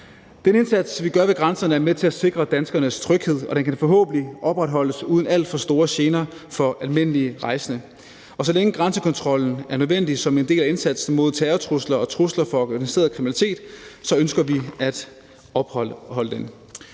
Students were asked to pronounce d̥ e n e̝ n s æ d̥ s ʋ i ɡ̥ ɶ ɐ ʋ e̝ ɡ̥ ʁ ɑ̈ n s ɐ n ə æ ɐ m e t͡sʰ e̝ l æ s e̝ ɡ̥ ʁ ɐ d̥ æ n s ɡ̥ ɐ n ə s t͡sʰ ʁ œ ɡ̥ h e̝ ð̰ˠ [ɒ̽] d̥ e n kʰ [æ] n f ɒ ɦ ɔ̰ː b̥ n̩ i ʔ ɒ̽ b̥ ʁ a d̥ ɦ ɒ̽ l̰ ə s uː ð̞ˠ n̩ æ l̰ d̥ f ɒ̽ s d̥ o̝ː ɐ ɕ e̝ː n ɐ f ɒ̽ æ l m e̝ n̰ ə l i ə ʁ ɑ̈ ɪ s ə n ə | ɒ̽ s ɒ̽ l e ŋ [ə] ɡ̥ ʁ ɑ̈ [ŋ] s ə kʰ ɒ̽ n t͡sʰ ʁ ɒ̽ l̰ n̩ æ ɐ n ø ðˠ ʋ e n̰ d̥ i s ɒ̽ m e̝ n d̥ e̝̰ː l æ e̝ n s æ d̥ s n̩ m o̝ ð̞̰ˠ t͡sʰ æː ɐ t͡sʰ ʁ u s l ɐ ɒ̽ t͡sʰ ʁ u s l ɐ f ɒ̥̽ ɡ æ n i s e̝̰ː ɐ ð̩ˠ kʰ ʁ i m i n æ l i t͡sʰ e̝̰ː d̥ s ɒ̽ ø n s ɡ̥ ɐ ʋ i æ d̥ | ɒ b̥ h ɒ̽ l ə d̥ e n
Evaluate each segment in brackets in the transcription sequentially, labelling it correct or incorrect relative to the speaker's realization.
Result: correct, correct, correct, incorrect

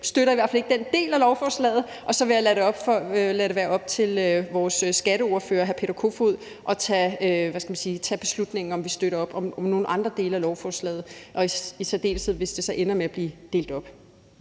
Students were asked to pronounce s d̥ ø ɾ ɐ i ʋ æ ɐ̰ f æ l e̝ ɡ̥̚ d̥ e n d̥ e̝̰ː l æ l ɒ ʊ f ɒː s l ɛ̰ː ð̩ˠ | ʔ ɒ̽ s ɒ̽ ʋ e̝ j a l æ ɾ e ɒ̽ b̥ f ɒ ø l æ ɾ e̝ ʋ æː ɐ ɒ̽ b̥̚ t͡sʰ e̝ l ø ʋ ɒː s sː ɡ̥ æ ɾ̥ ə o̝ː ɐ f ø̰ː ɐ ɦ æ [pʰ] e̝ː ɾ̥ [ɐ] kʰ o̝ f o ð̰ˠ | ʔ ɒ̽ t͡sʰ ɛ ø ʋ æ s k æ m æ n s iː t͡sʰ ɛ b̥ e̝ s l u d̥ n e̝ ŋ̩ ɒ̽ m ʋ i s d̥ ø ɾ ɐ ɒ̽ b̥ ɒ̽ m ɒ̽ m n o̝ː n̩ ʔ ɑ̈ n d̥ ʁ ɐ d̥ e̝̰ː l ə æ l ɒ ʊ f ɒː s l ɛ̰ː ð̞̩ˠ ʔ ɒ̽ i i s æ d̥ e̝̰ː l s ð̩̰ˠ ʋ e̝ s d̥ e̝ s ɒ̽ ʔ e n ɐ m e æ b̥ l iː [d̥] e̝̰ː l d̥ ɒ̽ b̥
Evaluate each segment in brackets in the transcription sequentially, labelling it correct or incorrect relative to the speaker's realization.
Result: correct, correct, correct

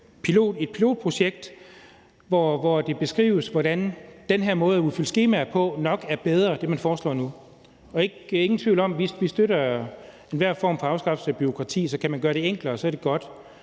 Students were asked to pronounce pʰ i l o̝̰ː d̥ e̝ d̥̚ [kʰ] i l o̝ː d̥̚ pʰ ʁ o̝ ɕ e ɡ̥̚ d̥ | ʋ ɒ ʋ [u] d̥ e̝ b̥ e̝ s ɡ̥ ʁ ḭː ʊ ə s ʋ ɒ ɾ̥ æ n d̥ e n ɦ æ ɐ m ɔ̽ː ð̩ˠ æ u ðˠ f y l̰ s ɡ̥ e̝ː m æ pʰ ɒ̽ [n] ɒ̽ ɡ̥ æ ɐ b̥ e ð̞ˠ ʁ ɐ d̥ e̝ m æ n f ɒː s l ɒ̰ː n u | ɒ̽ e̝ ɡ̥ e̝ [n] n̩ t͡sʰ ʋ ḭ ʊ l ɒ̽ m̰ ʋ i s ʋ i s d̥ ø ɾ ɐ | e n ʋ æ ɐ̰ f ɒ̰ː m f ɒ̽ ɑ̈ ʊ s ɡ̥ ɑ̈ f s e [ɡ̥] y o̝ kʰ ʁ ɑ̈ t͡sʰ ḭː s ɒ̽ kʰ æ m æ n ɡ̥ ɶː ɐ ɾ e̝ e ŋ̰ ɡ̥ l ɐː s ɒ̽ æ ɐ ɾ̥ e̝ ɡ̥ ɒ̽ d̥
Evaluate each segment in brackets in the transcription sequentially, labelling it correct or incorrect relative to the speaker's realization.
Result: incorrect, incorrect, correct, incorrect, incorrect

